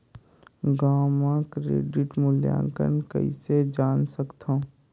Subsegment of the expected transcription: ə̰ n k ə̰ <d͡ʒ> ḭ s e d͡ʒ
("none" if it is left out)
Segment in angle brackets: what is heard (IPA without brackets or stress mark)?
none